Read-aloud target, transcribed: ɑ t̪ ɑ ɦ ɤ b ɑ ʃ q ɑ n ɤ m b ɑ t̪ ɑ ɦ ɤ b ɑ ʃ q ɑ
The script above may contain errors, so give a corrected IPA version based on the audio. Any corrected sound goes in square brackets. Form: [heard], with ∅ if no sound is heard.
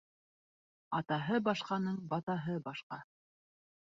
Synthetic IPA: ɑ t̪ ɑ ɦ ɤ b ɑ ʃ q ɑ n ɤ [ɴ] b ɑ t̪ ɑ ɦ ɤ b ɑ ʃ q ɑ

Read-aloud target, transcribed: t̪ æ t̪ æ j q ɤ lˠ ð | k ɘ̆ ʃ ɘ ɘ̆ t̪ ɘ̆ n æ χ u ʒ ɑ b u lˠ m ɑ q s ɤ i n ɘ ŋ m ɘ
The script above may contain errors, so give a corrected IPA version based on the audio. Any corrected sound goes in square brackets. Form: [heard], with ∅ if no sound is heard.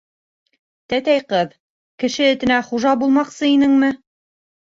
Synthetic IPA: t̪ æ t̪ æ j q ɤ [∅] ð | k ɘ̆ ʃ ɘ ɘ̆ t̪ ɘ̆ n æ χ u ʒ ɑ b u lˠ m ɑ q s ɤ i n ɘ ŋ m ɘ

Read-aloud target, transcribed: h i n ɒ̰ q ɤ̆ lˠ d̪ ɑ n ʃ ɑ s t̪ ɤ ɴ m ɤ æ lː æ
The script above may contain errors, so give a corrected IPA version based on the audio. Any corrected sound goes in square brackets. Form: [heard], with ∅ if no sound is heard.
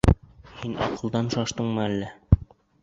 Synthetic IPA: h i n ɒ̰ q ɤ̆ lˠ d̪ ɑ n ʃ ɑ [ʃ] t̪ ɤ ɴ m ɤ æ lː æ

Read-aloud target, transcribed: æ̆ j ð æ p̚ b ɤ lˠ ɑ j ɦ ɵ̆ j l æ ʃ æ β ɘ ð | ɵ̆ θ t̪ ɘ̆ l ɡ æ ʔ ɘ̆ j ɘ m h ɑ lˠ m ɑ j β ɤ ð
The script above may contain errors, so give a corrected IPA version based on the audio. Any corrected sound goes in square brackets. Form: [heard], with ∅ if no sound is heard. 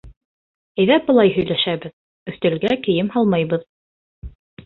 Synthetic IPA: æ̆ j ð æ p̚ b ɤ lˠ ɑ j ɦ ɵ̆ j l æ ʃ æ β ɘ ð | ɵ̆ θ t̪ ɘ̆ l ɡ æ [k] ɘ̆ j ɘ m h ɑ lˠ m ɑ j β ɤ ð

